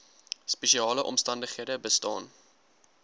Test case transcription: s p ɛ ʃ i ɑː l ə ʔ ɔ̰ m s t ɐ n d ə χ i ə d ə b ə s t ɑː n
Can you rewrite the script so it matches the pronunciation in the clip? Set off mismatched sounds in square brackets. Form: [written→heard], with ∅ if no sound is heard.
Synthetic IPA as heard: s p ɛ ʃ i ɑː l ə ʔ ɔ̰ m s t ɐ n d ə χ i ə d ə b ə s t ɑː n